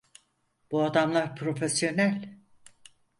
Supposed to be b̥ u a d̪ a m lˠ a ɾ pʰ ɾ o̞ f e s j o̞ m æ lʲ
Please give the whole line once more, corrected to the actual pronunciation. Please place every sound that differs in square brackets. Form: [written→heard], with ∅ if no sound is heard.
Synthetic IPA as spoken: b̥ u a d̪ a m lˠ a ɾ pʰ ɾ o̞ f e s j o̞ [m→n] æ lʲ